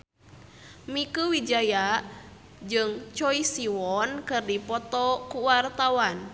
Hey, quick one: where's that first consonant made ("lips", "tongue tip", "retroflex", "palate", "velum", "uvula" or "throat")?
lips